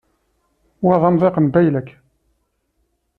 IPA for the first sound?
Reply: w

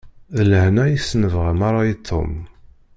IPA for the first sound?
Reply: ð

